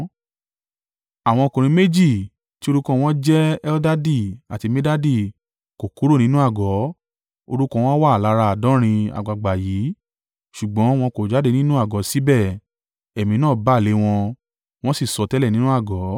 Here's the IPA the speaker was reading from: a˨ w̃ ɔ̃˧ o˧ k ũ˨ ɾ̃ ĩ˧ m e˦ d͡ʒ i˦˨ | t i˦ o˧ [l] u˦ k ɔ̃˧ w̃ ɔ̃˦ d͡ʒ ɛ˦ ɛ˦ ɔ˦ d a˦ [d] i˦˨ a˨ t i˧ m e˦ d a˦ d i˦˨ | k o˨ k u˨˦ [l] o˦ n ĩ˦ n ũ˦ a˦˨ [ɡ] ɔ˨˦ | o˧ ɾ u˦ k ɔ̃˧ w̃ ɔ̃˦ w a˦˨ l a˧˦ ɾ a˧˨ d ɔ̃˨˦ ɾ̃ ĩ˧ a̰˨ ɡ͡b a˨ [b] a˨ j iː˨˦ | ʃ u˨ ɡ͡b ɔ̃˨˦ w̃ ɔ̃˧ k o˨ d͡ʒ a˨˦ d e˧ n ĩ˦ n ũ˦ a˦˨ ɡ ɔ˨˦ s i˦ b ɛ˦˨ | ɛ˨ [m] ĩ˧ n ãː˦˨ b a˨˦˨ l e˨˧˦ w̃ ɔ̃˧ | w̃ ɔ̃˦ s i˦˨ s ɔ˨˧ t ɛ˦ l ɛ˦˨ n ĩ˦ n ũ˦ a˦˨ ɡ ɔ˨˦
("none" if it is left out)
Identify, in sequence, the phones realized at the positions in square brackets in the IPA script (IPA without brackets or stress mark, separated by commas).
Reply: ɾ, d, ɾ, ɡ, ɡ͡b, m